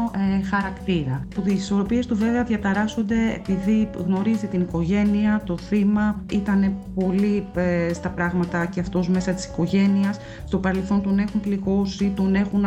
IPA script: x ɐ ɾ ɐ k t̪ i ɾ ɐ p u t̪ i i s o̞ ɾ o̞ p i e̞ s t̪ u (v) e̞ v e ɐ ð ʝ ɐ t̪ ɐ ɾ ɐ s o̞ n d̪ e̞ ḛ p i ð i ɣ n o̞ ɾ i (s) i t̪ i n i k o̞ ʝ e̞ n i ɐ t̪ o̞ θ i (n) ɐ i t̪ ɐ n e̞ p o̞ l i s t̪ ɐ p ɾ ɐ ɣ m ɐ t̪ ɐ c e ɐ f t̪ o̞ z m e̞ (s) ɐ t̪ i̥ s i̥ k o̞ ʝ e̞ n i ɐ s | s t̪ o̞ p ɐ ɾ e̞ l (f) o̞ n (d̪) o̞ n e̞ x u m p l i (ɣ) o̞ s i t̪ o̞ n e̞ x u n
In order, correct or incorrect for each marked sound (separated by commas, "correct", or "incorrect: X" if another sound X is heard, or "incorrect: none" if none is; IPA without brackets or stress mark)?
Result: correct, incorrect: z, incorrect: m, correct, incorrect: θ, incorrect: t̪, correct